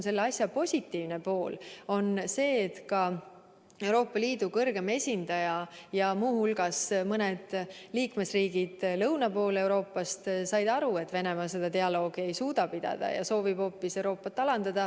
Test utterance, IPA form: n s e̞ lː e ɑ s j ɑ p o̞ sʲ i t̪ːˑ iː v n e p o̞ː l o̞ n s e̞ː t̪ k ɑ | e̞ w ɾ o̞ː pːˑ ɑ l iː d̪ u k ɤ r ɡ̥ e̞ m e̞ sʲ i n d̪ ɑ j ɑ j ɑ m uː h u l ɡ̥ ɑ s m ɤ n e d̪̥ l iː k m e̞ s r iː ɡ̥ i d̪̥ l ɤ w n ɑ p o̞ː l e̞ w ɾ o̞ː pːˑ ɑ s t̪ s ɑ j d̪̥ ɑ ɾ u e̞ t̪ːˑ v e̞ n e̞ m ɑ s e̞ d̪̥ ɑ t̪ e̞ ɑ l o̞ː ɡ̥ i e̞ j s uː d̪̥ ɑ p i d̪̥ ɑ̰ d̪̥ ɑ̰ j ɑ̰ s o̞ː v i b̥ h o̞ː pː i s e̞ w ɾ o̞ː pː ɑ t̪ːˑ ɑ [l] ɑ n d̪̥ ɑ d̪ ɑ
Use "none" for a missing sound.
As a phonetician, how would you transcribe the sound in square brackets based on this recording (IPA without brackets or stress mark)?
l